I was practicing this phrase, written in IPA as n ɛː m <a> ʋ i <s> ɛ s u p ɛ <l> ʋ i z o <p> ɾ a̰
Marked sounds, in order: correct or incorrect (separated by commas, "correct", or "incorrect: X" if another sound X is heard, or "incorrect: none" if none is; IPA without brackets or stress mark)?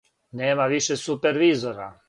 correct, incorrect: ʃ, incorrect: ɾ, incorrect: none